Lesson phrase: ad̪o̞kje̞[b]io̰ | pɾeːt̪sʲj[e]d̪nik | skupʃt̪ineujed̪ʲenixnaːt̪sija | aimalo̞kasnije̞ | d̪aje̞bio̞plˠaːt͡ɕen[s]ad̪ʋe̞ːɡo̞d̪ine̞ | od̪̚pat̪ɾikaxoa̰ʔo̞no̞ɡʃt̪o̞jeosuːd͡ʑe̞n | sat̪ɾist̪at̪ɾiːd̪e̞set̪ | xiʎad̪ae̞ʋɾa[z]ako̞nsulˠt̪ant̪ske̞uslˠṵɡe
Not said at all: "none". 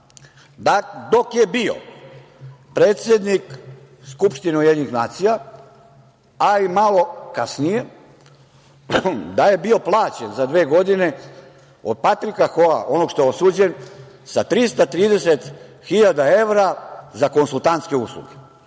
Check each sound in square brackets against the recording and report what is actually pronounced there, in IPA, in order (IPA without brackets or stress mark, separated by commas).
b, e, z, z